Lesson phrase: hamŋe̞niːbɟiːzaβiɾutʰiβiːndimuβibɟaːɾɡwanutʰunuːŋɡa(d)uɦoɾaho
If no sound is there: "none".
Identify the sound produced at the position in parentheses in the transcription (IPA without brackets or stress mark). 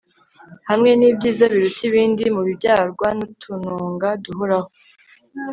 d